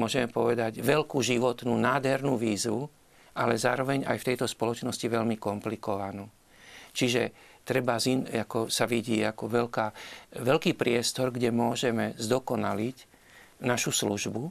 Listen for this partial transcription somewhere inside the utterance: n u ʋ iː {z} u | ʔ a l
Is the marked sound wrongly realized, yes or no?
no